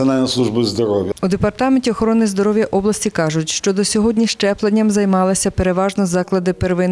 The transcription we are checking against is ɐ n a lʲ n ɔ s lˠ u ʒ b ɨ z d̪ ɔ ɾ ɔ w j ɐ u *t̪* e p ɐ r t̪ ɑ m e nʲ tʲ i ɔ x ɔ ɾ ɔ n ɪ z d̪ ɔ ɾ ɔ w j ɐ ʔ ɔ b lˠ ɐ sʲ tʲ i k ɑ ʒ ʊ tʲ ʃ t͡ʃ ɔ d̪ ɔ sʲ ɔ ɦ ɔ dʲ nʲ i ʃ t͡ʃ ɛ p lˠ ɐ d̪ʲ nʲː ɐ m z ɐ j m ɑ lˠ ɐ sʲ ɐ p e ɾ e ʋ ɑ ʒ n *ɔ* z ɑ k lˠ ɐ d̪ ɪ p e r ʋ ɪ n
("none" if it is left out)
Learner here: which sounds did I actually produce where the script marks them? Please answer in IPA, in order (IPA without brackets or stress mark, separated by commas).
d̪, ɔ